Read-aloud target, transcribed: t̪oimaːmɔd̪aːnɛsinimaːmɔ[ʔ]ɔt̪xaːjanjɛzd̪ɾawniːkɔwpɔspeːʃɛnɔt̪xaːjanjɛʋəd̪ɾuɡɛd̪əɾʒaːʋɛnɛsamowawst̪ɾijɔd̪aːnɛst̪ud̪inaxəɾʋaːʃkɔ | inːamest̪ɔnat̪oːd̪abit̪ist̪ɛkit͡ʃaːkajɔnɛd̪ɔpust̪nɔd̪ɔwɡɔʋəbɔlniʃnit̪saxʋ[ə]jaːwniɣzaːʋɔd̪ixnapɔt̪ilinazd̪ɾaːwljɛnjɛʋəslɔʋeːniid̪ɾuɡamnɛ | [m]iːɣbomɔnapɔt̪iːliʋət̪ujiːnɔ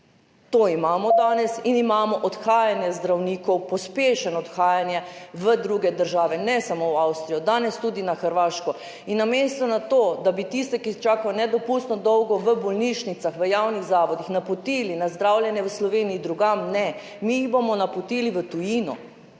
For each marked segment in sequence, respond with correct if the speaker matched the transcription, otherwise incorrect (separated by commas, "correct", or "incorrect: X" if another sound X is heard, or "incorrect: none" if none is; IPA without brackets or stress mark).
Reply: correct, correct, correct